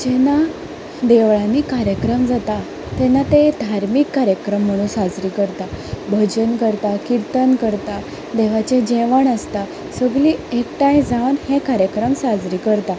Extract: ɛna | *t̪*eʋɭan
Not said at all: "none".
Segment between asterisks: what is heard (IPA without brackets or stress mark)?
d̪